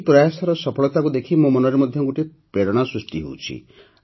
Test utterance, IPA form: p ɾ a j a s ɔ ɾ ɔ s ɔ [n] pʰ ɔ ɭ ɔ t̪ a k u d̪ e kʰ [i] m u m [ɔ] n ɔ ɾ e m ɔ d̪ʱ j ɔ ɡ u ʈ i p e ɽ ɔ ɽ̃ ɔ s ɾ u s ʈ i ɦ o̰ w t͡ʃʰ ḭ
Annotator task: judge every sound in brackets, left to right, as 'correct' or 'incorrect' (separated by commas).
incorrect, correct, correct